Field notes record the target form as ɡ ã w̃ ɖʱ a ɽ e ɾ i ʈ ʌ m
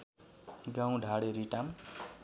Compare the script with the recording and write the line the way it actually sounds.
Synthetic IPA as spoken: ɡ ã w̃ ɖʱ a ɽ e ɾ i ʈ a m